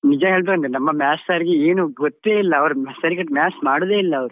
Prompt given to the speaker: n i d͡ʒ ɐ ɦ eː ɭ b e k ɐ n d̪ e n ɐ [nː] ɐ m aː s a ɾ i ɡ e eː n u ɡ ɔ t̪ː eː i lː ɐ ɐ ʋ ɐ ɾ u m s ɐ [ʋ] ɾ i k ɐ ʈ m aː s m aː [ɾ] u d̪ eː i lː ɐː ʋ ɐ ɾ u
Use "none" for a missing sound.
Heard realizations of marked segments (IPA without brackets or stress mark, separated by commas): mː, none, ɽ